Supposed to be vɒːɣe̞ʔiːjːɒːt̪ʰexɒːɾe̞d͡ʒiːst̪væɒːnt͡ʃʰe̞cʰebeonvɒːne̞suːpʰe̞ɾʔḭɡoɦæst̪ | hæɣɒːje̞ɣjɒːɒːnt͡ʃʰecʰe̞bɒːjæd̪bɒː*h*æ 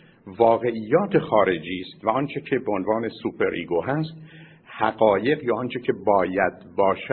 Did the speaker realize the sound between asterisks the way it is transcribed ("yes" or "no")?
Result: no